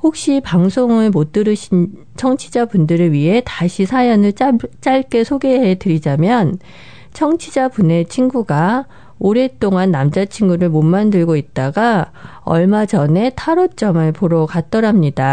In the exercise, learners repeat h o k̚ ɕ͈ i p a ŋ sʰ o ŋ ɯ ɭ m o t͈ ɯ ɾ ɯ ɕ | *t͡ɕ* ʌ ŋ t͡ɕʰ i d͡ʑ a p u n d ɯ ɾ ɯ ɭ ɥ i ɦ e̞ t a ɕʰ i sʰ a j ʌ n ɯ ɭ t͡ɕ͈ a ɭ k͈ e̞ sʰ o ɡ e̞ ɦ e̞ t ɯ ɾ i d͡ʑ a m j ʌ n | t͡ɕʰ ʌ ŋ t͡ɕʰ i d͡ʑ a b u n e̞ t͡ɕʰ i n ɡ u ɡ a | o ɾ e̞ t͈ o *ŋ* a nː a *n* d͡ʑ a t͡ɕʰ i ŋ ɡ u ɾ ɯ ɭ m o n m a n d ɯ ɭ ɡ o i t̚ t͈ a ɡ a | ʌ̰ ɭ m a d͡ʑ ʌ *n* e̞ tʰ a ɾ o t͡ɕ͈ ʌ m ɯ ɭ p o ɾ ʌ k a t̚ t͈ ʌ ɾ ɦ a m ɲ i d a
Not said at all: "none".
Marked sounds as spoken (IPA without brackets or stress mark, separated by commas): t͡ɕʰ, ŋ, m, n